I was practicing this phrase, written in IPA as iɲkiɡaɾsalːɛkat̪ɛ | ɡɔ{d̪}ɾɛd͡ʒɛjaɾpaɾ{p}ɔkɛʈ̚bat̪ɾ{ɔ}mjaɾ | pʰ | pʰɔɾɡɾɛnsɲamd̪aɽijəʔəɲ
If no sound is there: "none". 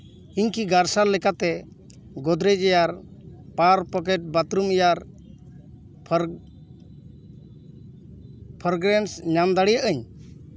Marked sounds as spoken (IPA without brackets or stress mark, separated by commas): d̪, p, u